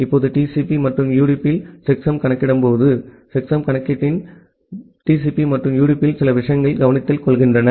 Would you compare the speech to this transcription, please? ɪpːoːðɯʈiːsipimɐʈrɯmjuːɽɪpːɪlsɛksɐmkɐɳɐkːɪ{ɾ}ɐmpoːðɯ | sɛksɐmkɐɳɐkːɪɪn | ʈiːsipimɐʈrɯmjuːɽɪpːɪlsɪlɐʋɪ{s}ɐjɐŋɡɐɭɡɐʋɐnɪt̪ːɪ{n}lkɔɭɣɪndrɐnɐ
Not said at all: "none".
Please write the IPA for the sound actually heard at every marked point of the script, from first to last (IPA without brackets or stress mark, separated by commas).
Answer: ɽ, ʂ, none